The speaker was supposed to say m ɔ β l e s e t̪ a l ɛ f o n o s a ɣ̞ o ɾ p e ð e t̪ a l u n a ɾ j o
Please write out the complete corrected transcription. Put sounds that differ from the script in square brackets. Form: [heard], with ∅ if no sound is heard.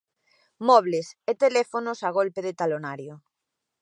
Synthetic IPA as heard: m ɔ β l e s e t̪ [e] l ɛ f o n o s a ɣ̞ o [l] p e ð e t̪ a l [o] n a ɾ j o